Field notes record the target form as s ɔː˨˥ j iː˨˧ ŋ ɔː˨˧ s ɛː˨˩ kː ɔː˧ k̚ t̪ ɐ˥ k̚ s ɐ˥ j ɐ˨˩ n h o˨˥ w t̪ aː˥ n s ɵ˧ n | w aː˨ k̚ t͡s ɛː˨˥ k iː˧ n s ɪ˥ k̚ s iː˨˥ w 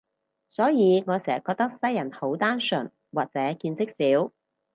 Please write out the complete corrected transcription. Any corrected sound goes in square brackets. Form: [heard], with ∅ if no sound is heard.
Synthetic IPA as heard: s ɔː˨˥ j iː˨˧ ŋ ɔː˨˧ s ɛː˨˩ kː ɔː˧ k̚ t̪ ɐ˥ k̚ s ɐ˥ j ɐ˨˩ n h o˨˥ w t̪ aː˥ n s [ɵ˨˩] n | w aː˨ k̚ t͡s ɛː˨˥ k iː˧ n s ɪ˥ k̚ s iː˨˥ w